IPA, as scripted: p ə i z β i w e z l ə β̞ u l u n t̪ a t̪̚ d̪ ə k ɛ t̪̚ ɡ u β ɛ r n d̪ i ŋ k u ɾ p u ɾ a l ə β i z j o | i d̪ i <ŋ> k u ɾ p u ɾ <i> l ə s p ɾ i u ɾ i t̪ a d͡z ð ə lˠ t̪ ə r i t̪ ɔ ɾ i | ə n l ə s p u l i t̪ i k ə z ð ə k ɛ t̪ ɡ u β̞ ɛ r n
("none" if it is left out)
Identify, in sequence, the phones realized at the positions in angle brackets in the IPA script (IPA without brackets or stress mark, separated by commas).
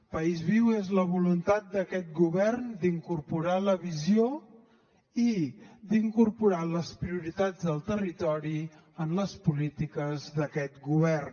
ŋ, a